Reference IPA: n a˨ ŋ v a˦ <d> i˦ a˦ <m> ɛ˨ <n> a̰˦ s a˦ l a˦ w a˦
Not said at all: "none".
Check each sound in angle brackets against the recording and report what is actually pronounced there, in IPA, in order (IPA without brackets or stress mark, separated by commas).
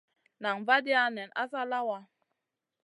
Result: d, n, n